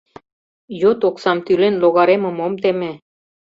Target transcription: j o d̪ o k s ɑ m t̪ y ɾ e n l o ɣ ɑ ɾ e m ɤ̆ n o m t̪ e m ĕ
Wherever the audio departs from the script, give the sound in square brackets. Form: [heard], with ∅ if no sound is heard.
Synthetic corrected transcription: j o [t̪] o k s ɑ m t̪ y [l] e n l o ɣ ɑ ɾ e m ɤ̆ [m] o m t̪ e m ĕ